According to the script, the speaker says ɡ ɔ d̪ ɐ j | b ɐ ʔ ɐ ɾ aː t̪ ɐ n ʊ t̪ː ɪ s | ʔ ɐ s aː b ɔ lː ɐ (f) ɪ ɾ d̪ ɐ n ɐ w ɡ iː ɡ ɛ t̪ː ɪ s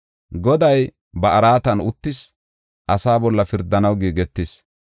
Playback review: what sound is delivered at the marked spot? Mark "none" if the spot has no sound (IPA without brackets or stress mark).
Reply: f